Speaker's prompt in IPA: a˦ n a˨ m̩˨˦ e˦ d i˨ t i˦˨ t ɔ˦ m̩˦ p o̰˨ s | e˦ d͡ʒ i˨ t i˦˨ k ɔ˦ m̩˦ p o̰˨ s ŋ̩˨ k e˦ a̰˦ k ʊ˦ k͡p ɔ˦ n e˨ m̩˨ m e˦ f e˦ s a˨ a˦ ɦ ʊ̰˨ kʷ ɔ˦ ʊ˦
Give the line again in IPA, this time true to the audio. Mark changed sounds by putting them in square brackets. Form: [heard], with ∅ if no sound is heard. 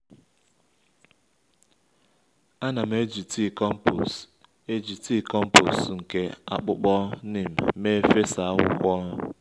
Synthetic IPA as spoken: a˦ n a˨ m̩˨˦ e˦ [d͡ʒ] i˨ t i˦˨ [k] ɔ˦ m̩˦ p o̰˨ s | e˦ d͡ʒ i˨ t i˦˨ k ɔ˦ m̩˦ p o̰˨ s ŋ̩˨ k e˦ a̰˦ [k͡p] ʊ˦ k͡p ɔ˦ n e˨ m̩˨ m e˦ f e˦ s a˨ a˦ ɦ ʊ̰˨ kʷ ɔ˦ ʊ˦